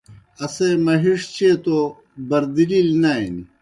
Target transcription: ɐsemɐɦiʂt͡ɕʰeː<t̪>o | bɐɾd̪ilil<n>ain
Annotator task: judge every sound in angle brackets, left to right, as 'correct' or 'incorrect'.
correct, correct

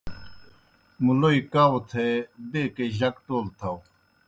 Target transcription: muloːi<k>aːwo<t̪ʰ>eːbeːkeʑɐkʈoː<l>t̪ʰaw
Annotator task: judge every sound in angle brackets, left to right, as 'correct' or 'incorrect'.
correct, correct, correct

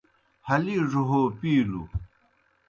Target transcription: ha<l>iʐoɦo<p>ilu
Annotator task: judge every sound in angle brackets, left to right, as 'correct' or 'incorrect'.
correct, correct

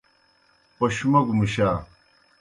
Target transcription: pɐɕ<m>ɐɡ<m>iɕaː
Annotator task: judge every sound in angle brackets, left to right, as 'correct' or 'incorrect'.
correct, correct

